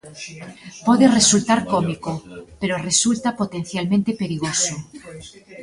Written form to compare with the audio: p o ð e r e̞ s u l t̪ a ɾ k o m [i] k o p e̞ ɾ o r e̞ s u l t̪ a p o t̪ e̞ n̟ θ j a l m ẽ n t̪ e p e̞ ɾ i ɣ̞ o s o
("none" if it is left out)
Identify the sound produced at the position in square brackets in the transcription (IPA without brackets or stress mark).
i